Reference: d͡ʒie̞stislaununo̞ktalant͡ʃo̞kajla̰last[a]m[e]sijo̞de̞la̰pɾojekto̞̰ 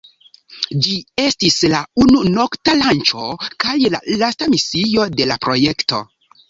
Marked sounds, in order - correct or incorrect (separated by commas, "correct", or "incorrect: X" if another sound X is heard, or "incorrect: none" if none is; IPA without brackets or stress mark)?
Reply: correct, incorrect: i